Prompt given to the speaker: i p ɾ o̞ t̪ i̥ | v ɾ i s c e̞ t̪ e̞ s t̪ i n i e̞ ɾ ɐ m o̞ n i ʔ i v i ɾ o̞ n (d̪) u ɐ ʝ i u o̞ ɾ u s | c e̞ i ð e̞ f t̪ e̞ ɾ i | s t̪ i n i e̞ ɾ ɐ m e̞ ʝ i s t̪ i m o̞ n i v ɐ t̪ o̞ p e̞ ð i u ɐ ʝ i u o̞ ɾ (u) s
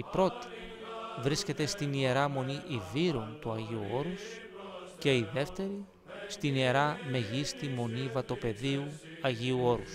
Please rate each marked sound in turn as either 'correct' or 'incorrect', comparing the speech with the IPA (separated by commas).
incorrect, correct